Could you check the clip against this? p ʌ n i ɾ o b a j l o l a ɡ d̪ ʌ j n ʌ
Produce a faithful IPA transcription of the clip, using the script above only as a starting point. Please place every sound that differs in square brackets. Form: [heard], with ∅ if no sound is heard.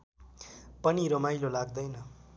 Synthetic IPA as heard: p ʌ n i ɾ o [m] a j l o l a ɡ d̪ ʌ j n ʌ